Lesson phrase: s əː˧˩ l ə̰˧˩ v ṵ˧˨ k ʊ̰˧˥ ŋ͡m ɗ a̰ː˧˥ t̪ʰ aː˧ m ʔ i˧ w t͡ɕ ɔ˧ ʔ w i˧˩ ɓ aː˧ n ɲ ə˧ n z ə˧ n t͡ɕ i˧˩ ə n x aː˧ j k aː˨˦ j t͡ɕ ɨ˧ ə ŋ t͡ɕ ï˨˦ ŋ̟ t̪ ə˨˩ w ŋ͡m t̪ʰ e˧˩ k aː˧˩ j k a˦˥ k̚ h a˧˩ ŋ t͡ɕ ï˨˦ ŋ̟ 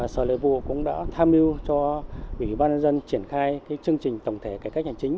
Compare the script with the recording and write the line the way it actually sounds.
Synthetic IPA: s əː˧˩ l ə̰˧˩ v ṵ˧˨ k ʊ̰˧˥ ŋ͡m ɗ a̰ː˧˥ t̪ʰ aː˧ m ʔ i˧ w t͡ɕ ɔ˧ ʔ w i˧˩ ɓ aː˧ n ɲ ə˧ n z ə˧ n t͡ɕ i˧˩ ə n x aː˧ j k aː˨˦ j t͡ɕ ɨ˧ ə ŋ t͡ɕ ï˨˩ ŋ̟ t̪ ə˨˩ w ŋ͡m t̪ʰ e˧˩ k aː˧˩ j k a˦˥ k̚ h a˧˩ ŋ t͡ɕ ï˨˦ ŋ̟